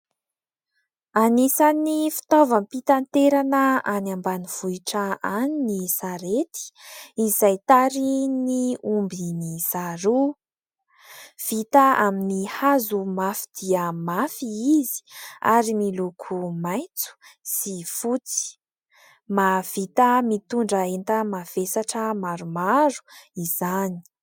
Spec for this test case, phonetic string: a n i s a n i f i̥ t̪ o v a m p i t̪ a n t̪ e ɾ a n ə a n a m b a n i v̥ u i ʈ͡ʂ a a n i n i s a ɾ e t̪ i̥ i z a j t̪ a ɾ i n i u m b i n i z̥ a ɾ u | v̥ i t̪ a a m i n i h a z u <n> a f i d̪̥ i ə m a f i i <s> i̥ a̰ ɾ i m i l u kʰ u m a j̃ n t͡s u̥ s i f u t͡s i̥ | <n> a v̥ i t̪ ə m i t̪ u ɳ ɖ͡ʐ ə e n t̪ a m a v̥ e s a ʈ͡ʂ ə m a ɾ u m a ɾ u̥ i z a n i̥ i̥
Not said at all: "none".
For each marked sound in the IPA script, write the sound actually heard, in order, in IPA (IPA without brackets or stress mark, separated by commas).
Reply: m, z, m